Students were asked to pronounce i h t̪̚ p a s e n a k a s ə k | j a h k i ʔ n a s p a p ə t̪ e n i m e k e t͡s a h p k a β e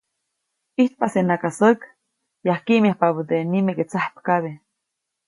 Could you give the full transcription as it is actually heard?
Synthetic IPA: i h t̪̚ p a s e n a k a s ə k | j a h k i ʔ m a h p a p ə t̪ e n i m e k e t͡s a h p k a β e